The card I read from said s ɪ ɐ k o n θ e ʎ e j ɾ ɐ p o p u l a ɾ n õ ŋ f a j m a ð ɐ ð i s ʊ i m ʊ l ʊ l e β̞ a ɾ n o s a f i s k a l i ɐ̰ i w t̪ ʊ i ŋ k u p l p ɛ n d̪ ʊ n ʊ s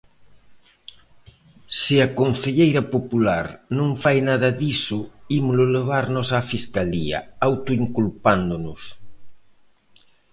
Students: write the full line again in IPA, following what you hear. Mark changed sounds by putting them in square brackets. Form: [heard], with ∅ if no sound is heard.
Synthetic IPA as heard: s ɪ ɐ k o n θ e ʎ e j ɾ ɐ p o p u l a ɾ n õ ŋ f a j [n] a ð ɐ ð i s ʊ i m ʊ l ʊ l e β̞ a ɾ n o s a f i s k a l i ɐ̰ [a] w t̪ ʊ i ŋ k u [∅] l p [a] n d̪ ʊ n ʊ s